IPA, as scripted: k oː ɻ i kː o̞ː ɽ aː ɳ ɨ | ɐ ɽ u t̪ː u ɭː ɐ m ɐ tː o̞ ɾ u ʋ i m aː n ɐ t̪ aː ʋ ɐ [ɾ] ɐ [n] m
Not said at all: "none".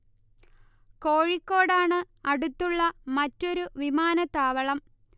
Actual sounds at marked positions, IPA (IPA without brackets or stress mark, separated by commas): ɭ, none